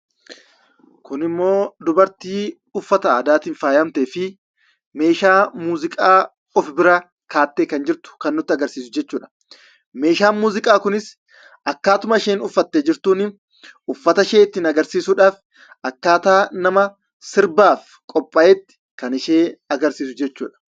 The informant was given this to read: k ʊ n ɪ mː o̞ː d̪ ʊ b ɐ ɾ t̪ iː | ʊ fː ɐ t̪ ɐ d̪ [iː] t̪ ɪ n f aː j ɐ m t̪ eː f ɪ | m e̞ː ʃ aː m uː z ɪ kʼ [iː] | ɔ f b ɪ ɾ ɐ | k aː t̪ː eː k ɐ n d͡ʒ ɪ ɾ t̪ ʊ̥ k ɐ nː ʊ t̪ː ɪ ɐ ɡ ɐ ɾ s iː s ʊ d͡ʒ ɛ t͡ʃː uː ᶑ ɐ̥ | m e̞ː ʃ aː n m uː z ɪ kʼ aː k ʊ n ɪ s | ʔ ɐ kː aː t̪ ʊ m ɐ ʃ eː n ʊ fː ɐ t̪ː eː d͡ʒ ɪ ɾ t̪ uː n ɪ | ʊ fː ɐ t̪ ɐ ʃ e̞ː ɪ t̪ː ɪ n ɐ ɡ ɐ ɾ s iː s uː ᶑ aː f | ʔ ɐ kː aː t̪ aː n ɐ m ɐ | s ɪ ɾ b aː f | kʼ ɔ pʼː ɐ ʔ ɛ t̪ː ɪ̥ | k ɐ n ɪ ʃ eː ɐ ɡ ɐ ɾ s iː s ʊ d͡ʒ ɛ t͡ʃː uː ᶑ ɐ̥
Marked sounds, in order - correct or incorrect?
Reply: incorrect: aː, incorrect: aː

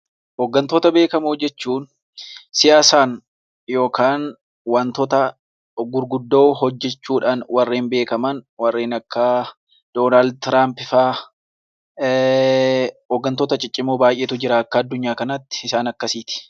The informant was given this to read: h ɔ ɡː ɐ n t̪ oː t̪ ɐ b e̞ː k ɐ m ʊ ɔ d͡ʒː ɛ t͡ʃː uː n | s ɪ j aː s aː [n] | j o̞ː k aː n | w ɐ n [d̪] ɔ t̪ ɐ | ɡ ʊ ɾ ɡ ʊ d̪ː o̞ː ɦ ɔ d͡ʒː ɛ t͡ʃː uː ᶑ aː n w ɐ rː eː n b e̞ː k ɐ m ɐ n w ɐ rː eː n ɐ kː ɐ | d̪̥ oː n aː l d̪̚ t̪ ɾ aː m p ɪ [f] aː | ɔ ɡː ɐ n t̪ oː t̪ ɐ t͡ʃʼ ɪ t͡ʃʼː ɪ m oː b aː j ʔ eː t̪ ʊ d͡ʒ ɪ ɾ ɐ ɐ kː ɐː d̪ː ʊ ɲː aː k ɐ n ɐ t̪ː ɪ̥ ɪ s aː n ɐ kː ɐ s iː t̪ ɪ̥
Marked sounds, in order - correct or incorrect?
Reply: correct, incorrect: t̪, correct

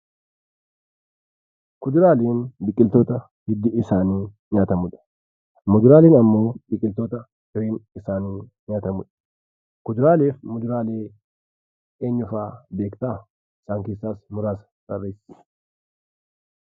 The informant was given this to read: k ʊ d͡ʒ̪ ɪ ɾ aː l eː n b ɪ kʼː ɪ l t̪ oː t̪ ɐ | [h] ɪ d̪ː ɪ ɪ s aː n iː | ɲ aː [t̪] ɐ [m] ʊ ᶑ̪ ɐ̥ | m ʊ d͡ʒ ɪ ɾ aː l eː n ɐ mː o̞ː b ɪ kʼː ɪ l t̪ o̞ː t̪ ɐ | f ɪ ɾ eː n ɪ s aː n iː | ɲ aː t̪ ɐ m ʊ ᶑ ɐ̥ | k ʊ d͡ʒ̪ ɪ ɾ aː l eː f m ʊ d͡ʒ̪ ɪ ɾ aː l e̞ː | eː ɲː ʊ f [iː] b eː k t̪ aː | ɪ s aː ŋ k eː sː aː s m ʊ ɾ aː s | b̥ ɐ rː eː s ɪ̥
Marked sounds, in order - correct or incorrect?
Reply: correct, correct, correct, incorrect: aː

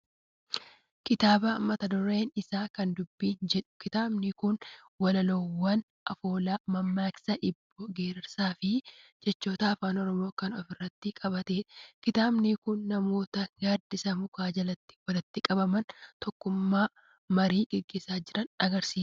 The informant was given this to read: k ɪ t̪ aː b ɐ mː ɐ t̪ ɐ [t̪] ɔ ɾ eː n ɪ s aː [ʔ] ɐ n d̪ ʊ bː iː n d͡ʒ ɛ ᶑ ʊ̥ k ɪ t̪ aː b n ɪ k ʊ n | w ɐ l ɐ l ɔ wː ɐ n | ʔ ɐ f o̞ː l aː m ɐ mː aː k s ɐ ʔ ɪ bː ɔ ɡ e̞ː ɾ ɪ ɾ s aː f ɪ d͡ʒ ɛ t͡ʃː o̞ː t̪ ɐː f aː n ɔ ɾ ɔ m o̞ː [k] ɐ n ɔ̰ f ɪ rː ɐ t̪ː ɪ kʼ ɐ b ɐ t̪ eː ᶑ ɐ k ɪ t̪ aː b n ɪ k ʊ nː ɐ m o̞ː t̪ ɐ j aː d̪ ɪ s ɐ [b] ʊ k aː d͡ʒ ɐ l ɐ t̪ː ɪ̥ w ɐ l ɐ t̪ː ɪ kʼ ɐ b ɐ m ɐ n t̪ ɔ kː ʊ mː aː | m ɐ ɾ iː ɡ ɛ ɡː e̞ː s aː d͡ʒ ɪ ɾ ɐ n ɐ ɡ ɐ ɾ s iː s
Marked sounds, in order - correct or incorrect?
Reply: incorrect: d̪, incorrect: k, correct, incorrect: m

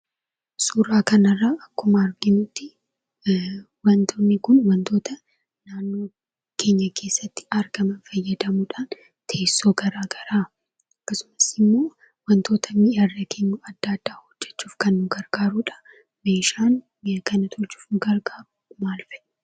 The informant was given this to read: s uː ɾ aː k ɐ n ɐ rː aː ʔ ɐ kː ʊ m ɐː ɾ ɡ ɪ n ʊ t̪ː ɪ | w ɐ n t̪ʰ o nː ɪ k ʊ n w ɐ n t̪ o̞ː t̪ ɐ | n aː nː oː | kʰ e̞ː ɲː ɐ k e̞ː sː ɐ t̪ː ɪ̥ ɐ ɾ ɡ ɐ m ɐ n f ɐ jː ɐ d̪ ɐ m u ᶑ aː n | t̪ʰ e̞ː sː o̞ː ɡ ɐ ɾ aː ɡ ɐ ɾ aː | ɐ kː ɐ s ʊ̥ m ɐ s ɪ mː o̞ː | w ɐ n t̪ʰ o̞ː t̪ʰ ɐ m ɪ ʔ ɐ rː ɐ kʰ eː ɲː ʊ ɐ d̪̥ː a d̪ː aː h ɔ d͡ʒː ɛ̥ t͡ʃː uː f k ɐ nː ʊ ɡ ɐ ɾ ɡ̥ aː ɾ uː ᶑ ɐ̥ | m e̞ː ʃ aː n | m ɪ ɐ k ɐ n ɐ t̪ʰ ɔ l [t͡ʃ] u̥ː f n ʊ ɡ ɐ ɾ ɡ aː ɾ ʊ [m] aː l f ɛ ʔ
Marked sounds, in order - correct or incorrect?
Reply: correct, correct

